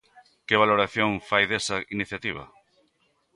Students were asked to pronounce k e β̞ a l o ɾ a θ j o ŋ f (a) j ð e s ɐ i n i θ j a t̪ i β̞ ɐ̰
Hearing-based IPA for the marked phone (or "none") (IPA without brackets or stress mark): a